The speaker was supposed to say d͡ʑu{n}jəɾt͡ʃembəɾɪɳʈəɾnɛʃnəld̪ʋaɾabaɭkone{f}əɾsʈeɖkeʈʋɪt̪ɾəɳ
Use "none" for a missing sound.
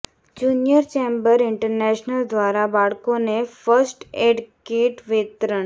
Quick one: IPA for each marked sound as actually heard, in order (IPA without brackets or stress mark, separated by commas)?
n, f